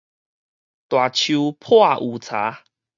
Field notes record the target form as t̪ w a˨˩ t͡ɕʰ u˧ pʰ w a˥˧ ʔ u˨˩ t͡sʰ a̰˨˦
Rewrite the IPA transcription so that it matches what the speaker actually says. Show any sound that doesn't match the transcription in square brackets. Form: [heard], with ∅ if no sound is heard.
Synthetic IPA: t̪ w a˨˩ t͡ɕʰ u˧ pʰ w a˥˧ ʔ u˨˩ t͡sʰ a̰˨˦